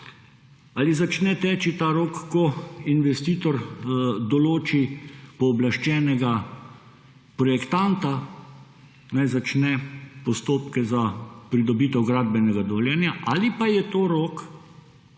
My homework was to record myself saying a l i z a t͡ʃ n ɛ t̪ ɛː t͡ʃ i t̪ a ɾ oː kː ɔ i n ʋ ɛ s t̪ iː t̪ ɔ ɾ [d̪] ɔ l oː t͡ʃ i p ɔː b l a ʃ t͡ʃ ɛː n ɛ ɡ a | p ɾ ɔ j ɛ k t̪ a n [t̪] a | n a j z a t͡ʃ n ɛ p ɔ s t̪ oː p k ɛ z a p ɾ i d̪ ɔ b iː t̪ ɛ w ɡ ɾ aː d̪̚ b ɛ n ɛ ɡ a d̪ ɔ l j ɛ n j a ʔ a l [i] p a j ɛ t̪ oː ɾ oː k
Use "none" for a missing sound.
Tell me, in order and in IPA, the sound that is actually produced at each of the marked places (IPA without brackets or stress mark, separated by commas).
d̪, t̪, i